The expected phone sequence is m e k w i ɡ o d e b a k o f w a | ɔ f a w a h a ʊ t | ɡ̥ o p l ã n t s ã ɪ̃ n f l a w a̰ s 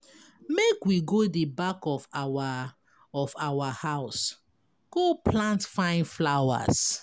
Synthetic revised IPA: m e k w i ɡ o d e b a k ɔ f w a | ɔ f a w a h a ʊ s | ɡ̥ o p l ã n t f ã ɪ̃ n f l a w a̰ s